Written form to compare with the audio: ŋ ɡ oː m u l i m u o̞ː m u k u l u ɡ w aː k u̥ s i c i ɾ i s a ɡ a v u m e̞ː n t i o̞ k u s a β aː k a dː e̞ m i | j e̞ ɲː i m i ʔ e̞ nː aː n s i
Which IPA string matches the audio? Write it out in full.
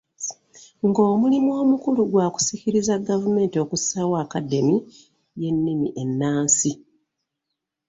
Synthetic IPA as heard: ŋ ɡ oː m u l i m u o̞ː m u k u l u ɡ w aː k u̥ s i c i ɾ i z a ɡ a v u m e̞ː n t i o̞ k u s a w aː k a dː e̞ m i | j e̞ nː i m i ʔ e̞ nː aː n s i